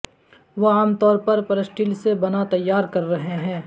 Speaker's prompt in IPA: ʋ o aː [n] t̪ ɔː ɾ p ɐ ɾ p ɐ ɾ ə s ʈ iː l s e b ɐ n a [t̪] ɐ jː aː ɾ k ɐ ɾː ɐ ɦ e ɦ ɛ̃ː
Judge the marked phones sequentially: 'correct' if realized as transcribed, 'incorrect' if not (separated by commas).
incorrect, correct